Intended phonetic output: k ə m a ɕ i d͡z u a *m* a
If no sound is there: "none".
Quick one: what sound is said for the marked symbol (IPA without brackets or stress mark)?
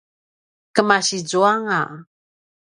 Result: ŋ